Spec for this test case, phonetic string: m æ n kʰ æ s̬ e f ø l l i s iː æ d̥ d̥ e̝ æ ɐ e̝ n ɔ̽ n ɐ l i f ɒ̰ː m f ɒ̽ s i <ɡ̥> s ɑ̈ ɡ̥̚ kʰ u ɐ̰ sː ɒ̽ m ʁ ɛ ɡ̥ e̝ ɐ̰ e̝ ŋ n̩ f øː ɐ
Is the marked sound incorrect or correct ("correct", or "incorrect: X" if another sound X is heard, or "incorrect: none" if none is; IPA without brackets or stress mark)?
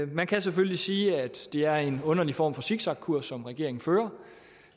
correct